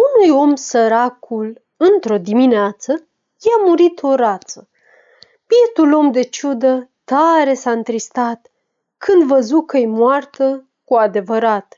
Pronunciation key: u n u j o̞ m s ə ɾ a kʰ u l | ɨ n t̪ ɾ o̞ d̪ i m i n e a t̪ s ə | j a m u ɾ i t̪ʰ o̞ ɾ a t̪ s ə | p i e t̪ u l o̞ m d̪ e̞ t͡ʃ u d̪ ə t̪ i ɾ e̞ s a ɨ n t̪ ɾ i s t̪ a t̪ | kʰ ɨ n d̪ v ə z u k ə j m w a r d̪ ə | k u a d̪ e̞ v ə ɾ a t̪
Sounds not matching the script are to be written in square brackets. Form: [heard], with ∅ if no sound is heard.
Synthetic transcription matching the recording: u n u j o̞ m s ə ɾ a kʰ u l | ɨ n t̪ ɾ o̞ d̪ i m i n e a t̪ s ə | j a m u ɾ i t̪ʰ o̞ ɾ a t̪ s ə | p i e t̪ u l o̞ m d̪ e̞ t͡ʃ u d̪ ə t̪ [a] ɾ e̞ s a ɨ n t̪ ɾ i s t̪ a t̪ | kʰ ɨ n d̪ v ə z u k ə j m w a r [t̪] ə | k u a d̪ e̞ v ə ɾ a t̪